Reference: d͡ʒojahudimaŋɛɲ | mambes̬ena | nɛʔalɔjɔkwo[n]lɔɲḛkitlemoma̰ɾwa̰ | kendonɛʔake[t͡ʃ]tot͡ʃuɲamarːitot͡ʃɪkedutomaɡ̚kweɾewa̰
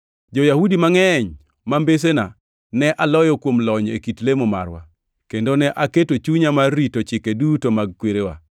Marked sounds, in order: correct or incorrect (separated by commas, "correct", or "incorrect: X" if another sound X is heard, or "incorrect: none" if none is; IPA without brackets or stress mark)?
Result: incorrect: m, incorrect: none